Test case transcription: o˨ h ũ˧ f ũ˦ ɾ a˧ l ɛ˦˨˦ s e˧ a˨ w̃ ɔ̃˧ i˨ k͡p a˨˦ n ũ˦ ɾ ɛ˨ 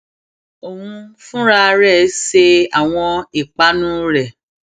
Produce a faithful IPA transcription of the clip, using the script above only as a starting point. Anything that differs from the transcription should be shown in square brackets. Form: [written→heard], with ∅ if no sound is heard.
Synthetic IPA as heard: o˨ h ũ˧ f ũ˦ ɾ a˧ [l→ɾ] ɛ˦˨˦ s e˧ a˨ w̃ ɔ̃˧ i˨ k͡p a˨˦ n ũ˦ ɾ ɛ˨